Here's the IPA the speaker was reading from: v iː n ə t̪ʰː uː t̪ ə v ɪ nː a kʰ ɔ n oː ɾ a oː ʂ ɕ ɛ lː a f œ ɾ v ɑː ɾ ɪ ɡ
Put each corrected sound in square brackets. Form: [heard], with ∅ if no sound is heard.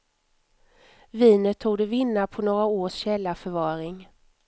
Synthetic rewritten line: v iː n ə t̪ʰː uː [d̪] ə v ɪ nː a [pʰ] ɔ n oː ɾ a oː ʂ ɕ ɛ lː a f œ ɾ v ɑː ɾ ɪ [ŋ]